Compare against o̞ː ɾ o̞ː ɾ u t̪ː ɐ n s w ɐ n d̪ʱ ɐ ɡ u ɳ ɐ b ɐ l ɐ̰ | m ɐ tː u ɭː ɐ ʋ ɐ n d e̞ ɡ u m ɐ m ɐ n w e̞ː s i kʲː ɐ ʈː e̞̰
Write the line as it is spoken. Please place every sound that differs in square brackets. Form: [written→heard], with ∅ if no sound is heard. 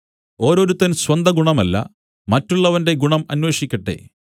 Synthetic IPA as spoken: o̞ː ɾ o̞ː ɾ u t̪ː ɐ n s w ɐ n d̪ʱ ɐ ɡ u ɳ ɐ [b→m] ɐ [l→lː] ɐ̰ | m ɐ tː u ɭː ɐ ʋ ɐ n d e̞ ɡ u [m→ɳ] ɐ m ɐ n w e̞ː [s→ʂ] i kʲː ɐ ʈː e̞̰

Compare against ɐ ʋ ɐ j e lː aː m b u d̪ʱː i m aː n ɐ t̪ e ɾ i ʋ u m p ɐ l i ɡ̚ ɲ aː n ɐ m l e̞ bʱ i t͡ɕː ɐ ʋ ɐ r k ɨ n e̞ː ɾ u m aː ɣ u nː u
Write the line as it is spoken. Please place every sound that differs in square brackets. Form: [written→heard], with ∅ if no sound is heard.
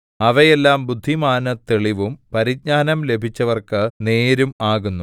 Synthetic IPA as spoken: ɐ ʋ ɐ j e lː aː m b u d̪ʱː i m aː n ɐ t̪ e [ɾ→ɭ] i ʋ u m p ɐ [l→ɾ] i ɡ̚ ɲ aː n ɐ m l e̞ bʱ i t͡ɕː ɐ ʋ ɐ r k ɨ n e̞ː ɾ u m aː ɣ u nː u

